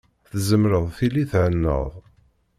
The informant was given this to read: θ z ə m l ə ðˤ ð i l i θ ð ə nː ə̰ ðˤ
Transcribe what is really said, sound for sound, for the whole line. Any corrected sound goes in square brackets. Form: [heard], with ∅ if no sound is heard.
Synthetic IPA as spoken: θ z ə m [ɾ] ə ðˤ [θ] i l i θ [ʕ] ə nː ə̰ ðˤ

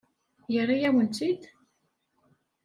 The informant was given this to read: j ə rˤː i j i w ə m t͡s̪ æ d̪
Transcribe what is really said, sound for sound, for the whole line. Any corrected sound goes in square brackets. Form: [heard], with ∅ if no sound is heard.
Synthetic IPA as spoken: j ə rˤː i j [æ] w ə [n] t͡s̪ [i] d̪

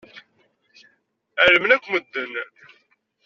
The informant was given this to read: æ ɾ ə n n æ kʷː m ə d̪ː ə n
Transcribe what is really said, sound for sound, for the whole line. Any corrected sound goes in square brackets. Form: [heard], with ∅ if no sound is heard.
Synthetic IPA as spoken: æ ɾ ə [m] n æ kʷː m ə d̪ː ə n

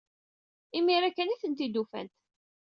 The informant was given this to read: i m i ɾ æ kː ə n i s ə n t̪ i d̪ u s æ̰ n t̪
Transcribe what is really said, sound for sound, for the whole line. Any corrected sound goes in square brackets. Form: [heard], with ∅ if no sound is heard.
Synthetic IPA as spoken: i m i ɾ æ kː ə n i [θ] ə n t̪ i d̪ u [f] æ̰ n t̪

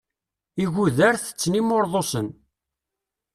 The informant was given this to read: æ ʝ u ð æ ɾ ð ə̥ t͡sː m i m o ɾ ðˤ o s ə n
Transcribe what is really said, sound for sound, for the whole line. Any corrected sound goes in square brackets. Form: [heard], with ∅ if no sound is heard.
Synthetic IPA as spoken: [i] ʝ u ð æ ɾ [θ] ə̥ t͡sː [n] i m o ɾ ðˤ o s ə n

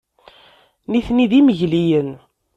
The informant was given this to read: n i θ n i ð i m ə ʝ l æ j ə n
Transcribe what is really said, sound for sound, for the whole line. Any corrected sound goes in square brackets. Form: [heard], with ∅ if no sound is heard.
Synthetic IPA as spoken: n i θ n i ð i m ə ʝ l [i] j ə n

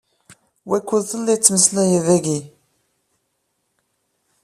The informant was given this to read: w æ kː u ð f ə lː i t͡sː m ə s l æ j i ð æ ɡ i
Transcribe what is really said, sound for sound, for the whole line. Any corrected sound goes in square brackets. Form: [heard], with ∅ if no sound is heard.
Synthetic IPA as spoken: w æ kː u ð [θ] ə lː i t͡sː m ə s l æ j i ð æ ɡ i

